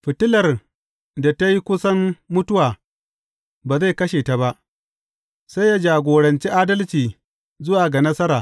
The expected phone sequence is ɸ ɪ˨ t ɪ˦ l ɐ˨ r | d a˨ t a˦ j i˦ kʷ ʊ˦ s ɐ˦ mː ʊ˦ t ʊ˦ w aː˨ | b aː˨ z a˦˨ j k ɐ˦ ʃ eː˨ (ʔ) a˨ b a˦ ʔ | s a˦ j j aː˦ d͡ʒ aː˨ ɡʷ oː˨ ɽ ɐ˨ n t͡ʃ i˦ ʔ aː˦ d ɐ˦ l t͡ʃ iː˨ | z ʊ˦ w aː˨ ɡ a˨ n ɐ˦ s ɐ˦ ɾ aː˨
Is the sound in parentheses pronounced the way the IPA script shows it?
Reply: no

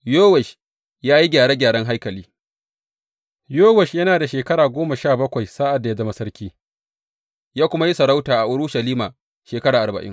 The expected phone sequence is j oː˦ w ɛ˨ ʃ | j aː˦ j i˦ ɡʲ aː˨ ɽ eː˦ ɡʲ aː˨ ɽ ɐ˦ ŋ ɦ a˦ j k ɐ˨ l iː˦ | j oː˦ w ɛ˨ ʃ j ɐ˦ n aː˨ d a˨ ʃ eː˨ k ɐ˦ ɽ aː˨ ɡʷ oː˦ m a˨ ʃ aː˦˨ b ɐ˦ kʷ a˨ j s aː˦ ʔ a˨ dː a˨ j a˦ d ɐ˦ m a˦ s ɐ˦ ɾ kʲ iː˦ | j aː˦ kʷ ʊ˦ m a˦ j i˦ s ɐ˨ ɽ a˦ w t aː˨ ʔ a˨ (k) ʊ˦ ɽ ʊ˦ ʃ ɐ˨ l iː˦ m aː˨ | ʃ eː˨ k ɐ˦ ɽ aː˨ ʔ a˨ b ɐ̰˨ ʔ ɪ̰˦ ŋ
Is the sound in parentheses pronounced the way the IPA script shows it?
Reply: no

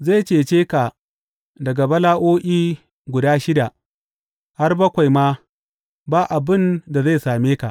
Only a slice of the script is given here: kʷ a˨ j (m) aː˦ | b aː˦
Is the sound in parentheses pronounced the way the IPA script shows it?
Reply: yes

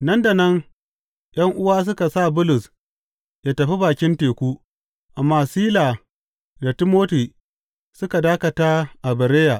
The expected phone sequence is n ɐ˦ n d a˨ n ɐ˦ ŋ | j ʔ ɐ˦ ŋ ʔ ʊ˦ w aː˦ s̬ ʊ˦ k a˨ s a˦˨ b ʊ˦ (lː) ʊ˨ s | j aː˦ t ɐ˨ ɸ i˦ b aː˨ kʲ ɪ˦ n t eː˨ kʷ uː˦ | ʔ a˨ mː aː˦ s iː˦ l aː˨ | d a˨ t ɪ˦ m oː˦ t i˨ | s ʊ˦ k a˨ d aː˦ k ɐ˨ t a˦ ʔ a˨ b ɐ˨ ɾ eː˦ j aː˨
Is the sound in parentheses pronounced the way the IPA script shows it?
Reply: no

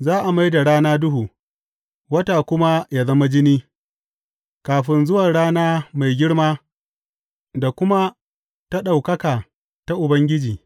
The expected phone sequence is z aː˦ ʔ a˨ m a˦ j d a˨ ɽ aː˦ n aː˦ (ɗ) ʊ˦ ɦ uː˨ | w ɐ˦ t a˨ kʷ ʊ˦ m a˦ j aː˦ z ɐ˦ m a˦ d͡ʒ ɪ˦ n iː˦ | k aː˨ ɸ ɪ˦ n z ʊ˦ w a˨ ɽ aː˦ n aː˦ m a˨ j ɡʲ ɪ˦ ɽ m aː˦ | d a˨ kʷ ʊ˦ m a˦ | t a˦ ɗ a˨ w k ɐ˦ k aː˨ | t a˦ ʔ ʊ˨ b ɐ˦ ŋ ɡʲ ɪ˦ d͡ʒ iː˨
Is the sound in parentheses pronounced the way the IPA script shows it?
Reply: no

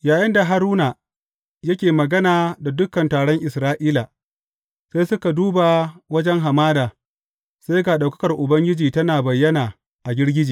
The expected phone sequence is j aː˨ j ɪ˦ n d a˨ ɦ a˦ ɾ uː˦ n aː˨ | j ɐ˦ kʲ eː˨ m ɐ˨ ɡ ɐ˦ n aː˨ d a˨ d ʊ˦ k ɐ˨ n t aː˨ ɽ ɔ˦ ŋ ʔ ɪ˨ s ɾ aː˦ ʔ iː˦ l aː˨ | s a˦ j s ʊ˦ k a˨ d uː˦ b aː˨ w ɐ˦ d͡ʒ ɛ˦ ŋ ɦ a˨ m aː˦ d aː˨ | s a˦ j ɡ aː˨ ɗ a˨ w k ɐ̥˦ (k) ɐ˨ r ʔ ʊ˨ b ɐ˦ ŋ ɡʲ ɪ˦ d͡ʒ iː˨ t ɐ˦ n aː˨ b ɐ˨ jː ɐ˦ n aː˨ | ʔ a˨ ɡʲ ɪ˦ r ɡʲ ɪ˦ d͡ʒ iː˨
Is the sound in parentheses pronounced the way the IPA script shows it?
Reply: yes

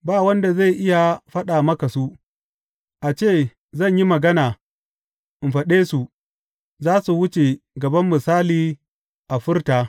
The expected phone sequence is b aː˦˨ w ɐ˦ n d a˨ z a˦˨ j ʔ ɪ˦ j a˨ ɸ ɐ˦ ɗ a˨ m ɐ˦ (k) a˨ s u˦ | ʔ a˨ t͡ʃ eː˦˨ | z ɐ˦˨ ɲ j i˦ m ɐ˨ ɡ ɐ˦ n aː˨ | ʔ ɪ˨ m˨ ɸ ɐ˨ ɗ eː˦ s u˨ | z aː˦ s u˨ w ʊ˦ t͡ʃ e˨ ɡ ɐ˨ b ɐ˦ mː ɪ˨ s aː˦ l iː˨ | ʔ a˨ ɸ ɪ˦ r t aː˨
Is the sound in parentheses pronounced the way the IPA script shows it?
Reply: yes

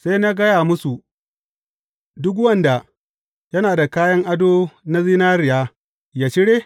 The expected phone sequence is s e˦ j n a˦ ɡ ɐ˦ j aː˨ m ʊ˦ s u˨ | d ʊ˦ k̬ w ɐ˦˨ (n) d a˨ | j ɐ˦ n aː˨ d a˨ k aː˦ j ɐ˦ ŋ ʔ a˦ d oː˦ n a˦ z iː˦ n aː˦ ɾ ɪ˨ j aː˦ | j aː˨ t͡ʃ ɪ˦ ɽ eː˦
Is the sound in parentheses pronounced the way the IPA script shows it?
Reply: yes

